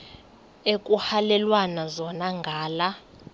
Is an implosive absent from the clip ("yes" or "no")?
yes